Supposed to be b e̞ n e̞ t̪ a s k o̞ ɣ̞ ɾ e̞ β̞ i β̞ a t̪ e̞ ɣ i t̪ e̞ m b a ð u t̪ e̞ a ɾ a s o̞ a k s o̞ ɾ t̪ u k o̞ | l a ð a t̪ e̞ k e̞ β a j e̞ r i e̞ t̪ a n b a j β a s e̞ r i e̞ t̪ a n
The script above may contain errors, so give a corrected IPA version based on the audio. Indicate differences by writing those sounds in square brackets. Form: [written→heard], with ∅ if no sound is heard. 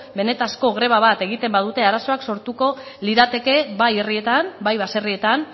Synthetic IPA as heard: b e̞ n e̞ t̪ a s k o̞ ɣ̞ ɾ e̞ β̞ [i→a] β̞ a t̪ e̞ ɣ i t̪ e̞ m b a ð u t̪ e̞ a ɾ a s o̞ a k s o̞ ɾ t̪ u k o̞ | l [a→i] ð a t̪ e̞ k e̞ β a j e̞ r i e̞ t̪ a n b a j β a s e̞ r i e̞ t̪ a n